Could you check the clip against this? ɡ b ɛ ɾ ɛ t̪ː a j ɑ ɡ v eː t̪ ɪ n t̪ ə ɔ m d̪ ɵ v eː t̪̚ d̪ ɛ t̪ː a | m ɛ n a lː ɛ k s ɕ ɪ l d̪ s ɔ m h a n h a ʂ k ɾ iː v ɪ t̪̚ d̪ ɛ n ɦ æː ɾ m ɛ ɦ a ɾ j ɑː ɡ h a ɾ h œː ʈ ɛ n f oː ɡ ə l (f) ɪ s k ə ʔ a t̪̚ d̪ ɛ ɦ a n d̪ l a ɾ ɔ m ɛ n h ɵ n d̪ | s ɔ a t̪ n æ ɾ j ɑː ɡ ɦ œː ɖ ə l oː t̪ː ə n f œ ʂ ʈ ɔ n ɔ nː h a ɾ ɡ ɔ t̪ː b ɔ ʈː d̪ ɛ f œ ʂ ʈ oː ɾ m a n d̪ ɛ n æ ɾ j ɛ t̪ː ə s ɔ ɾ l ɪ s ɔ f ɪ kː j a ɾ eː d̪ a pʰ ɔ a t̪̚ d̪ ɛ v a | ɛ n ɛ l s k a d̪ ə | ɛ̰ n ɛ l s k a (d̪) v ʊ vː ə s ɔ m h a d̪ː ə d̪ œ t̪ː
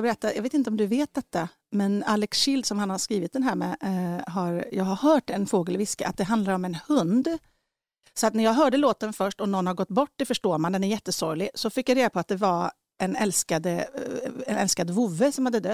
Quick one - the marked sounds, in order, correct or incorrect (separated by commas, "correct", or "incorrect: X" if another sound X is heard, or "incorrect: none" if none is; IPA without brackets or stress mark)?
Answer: incorrect: v, correct